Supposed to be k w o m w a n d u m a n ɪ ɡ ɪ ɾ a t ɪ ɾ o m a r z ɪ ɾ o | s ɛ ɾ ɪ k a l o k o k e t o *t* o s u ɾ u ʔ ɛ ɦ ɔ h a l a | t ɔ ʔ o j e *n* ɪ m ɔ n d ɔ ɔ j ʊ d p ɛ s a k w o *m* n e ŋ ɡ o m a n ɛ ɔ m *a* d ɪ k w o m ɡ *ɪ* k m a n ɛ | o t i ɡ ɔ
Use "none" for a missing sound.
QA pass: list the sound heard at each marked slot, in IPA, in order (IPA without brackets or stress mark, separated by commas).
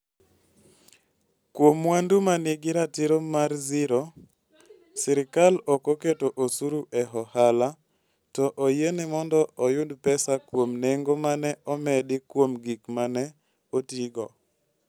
ʔ, n, m, ɛ, i